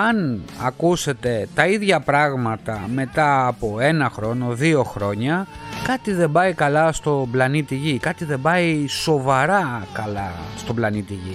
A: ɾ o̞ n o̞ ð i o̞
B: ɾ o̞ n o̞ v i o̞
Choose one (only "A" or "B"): A